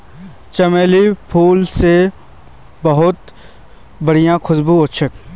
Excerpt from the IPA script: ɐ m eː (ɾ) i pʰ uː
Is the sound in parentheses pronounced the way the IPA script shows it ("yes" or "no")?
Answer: no